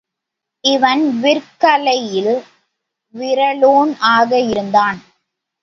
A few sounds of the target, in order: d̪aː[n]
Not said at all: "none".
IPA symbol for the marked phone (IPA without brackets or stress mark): n